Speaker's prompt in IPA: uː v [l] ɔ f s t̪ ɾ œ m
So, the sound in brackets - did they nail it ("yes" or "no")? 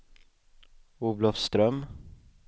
yes